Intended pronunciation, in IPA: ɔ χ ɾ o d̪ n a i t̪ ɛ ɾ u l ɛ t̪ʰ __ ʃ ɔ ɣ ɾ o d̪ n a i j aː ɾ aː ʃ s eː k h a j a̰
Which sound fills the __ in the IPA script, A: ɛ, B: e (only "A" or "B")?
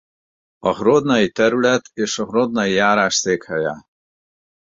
B